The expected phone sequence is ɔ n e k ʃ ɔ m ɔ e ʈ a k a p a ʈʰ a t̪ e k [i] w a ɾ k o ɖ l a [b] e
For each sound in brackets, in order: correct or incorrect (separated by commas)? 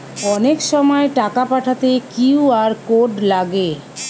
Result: correct, incorrect